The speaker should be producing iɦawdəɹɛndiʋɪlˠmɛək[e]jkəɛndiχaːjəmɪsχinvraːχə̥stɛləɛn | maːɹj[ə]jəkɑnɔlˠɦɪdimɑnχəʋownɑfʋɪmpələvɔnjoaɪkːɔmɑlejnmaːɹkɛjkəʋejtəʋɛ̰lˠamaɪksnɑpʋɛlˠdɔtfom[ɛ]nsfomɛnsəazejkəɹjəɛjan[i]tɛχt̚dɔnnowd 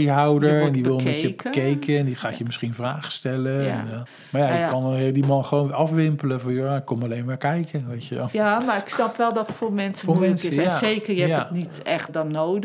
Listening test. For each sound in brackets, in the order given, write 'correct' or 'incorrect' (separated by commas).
correct, incorrect, correct, correct